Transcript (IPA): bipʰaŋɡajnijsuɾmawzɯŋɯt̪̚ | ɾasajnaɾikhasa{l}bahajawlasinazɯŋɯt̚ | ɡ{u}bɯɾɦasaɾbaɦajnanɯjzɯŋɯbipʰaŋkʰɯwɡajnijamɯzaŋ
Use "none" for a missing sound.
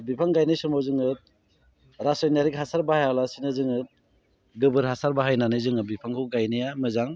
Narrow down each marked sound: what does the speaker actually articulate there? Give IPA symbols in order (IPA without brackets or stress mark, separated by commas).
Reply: ɾ, ɯ